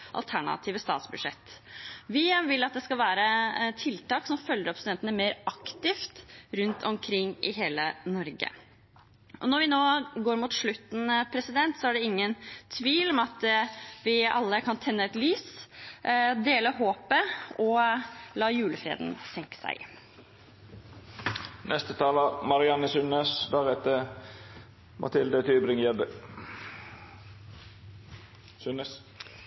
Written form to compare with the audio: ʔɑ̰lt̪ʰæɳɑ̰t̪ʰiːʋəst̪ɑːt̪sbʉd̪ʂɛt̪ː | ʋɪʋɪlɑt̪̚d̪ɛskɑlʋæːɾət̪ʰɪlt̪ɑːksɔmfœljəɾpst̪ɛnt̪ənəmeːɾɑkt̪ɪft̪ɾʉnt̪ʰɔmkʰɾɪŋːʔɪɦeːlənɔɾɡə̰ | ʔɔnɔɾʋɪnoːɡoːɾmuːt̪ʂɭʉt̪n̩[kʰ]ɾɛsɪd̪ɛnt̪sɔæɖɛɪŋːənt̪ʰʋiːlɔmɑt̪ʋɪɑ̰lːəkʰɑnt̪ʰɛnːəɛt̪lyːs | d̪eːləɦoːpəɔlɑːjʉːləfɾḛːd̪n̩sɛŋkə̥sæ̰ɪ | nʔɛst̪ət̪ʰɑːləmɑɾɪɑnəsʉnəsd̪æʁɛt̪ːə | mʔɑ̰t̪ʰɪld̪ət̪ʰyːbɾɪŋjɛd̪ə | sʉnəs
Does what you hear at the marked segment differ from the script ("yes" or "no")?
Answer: yes